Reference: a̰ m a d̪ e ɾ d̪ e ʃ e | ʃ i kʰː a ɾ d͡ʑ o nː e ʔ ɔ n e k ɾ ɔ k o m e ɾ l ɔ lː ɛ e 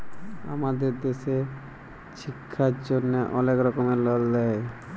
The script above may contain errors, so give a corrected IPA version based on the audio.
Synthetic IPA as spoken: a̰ m a d̪ e ɾ d̪ e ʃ e | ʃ i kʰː a ɾ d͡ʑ o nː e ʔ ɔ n e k ɾ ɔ k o m e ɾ l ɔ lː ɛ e